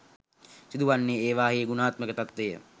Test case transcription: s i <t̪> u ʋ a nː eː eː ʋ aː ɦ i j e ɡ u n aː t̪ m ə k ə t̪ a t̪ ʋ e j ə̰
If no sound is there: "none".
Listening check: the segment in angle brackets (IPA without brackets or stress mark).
d̪